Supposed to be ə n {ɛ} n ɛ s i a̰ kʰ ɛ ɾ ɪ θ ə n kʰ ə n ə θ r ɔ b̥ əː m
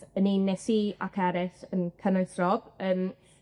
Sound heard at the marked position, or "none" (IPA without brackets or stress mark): i